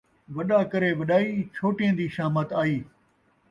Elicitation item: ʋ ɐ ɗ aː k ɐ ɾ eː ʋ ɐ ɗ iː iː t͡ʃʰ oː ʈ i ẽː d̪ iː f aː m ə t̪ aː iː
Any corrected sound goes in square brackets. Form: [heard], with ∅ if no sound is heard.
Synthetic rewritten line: ʋ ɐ ɗ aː k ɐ ɾ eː ʋ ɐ ɗ [aː] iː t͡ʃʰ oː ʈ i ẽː d̪ iː [ʃ] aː m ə t̪ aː iː